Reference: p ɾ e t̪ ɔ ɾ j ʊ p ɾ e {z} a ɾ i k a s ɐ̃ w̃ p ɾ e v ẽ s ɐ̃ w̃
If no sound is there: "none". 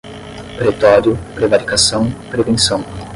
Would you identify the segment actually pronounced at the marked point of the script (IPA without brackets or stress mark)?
v